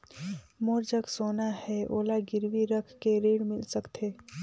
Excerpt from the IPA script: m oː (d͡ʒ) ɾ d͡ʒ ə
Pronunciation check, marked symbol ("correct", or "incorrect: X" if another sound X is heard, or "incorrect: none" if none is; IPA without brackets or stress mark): incorrect: none